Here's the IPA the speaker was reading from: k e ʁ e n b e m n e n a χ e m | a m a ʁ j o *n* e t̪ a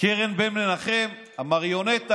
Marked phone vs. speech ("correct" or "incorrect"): correct